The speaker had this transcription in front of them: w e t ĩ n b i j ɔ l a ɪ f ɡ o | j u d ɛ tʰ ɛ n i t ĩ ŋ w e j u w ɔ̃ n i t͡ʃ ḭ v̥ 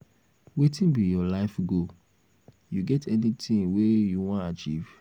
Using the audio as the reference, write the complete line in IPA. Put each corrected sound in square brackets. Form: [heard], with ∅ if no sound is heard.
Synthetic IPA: w e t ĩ n b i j ɔ l a ɪ f ɡ o | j u [ɡ] ɛ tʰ ɛ n i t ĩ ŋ w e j u w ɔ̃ n [a] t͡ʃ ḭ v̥